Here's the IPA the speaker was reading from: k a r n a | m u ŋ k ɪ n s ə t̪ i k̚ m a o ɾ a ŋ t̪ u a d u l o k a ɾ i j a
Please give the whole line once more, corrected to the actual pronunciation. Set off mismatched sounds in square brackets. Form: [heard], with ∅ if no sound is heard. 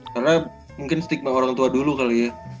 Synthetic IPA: k a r n a | m u ŋ k ɪ n s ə t̪ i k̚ m a o ɾ a ŋ t̪ u a d u l [u] k a [l] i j a